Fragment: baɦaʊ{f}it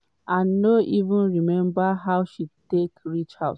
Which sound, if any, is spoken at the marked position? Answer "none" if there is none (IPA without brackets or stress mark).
ʃ